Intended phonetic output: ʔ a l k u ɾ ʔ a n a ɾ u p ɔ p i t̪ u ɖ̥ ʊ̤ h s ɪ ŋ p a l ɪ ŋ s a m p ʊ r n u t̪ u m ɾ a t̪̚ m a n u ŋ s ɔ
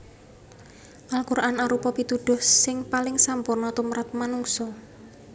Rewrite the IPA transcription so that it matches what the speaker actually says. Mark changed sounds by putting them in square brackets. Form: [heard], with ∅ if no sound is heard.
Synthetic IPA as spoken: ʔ a l k u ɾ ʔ a n a ɾ u p ɔ p i t̪ u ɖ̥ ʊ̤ h s ɪ ŋ p a l ɪ ŋ s a m p ʊ r n [ɔ] t̪ u m ɾ a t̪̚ m a n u ŋ s ɔ